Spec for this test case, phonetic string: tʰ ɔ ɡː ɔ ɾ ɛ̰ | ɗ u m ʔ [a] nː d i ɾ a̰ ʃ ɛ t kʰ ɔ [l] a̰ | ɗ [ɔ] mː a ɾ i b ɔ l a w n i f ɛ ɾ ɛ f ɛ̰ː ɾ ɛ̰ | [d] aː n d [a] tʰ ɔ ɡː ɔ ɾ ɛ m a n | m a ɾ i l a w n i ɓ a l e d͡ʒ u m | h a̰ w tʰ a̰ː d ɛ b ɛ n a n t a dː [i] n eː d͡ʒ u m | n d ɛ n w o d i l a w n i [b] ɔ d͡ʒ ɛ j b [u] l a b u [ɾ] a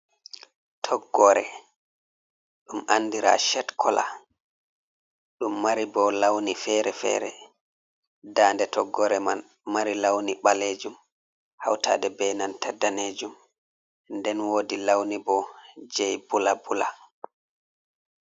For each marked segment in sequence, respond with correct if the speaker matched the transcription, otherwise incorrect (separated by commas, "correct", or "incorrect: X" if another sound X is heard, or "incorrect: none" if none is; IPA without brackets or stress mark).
correct, correct, incorrect: u, correct, incorrect: ɛ, incorrect: a, correct, correct, incorrect: l